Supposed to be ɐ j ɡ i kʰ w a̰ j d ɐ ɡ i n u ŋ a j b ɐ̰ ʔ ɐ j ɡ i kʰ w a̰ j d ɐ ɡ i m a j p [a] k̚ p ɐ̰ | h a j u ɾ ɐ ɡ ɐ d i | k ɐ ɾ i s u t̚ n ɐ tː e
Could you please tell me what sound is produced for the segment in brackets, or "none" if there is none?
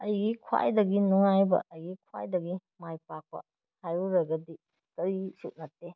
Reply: a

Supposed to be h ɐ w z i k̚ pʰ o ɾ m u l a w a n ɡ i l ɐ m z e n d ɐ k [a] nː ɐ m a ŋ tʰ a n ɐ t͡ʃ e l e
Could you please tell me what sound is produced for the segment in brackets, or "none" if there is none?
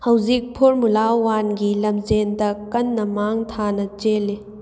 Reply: ɐ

